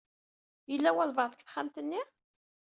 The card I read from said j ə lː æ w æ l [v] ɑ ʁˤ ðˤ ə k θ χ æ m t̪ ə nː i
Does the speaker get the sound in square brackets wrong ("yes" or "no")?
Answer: no